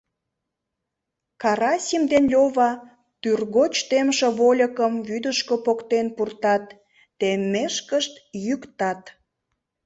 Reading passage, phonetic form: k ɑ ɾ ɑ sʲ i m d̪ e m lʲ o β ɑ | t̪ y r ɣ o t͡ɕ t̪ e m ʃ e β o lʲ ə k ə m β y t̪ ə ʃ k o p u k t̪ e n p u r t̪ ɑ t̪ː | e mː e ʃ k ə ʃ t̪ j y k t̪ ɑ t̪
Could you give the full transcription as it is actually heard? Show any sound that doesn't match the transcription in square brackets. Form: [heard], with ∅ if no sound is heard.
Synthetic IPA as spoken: k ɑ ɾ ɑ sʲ i m d̪ e [n] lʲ o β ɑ | t̪ y r ɣ o t͡ɕ t̪ e m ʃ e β o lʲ ə k ə m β y [d̪] ə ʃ k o p [o] k t̪ e n p u r t̪ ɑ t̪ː | e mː e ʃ k ə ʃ t̪ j y k t̪ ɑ t̪